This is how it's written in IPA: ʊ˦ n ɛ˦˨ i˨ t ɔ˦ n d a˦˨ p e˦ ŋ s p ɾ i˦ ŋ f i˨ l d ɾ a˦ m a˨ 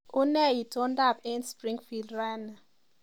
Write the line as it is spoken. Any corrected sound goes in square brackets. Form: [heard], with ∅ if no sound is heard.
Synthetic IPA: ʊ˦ n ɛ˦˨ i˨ t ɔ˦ n d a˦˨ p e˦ [n] s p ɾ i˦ ŋ f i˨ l d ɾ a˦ [n] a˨